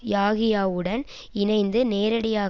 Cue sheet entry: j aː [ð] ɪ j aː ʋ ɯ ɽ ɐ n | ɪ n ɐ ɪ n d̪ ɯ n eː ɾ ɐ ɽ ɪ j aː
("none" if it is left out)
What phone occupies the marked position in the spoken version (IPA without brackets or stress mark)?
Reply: ɣ